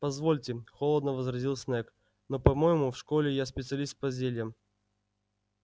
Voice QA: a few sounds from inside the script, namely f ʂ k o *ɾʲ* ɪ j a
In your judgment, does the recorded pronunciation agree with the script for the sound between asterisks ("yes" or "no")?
no